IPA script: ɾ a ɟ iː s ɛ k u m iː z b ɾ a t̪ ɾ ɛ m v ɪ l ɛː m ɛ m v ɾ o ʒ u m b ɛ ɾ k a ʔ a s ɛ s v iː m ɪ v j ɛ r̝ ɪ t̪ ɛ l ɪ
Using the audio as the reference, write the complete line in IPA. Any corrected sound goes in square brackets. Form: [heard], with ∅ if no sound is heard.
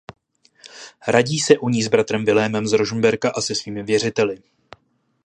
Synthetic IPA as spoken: ɾ a ɟ iː s ɛ [ʔ] u [ɲ] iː z b ɾ a t̪ ɾ ɛ m v ɪ l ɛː m ɛ m [z] ɾ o ʒ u m b ɛ ɾ k a ʔ a s ɛ s v iː m ɪ v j ɛ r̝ ɪ t̪ ɛ l ɪ